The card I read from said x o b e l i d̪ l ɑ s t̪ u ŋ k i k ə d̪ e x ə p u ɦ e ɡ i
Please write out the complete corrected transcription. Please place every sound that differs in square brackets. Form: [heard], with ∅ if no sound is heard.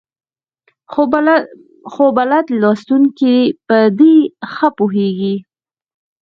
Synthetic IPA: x o b [a] l [a] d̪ l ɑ s t̪ u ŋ k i [p] ə d̪ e x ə p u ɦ e ɡ i